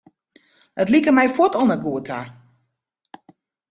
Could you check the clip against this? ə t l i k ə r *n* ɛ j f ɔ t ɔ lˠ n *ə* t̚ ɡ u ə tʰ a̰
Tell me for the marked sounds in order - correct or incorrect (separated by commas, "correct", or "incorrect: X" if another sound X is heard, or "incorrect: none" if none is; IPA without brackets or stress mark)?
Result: incorrect: m, correct